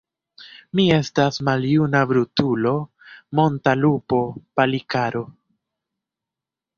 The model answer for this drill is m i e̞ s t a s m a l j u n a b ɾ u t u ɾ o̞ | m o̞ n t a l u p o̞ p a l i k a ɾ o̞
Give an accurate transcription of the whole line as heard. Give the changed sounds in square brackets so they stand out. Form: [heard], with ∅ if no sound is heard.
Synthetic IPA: m i e̞ s t a s m a l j u n a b ɾ u t u [l] o̞ | m o̞ n t a l u p o̞ p a l i k a ɾ o̞